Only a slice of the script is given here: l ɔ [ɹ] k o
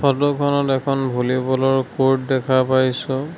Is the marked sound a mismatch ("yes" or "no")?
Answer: no